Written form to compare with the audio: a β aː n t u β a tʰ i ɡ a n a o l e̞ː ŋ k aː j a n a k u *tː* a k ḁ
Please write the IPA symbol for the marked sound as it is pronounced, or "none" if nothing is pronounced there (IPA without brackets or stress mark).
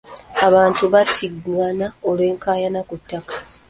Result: tː